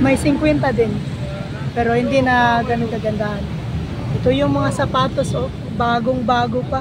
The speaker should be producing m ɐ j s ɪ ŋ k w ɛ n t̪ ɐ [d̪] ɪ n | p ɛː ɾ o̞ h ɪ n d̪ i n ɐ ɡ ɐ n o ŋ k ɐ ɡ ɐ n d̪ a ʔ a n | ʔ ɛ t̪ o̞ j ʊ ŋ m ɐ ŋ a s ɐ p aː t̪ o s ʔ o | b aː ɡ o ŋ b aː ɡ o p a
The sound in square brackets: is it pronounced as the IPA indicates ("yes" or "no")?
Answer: yes